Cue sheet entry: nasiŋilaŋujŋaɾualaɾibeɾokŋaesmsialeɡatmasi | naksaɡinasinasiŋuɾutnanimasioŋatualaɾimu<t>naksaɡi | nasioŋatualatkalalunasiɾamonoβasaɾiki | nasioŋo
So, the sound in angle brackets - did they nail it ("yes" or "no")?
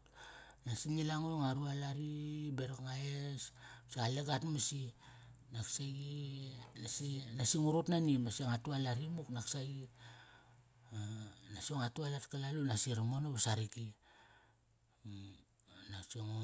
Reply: no